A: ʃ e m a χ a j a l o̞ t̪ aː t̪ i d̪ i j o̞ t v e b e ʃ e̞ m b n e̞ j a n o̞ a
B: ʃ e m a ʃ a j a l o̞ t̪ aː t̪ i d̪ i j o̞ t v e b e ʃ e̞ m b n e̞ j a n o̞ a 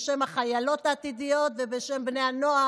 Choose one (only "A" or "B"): A